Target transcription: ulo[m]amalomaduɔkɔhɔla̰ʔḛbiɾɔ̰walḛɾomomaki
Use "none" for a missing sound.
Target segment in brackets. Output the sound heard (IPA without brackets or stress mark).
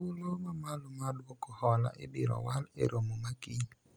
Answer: m